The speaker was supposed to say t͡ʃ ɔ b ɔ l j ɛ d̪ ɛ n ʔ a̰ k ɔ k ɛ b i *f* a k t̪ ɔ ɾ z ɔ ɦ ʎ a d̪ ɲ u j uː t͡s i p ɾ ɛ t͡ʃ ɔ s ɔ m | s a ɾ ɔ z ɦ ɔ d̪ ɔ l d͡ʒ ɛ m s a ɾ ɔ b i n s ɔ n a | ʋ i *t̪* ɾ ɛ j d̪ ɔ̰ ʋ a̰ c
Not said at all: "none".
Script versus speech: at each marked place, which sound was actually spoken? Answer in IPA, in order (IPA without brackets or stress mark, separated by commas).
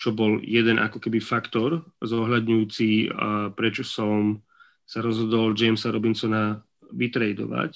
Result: f, t̪